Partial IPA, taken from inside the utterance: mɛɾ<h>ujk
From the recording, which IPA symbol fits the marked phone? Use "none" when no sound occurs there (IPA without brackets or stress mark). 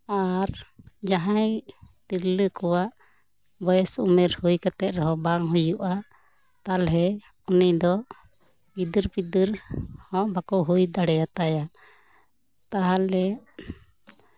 h